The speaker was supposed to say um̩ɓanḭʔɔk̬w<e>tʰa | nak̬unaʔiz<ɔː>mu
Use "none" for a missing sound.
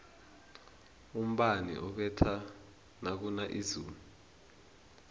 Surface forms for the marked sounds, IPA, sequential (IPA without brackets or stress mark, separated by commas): ɛ, uː